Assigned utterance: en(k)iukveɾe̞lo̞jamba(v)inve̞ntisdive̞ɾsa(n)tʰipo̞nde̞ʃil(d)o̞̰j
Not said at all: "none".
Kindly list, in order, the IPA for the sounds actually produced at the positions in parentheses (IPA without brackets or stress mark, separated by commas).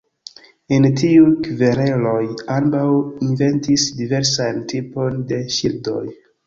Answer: t, w, n, d